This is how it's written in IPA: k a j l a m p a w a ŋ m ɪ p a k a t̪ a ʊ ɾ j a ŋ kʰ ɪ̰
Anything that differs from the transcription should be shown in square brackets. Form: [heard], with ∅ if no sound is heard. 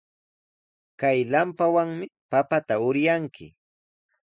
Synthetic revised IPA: k a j l a m p a w a ŋ m ɪ p a [p] a t̪ a ʊ ɾ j a ŋ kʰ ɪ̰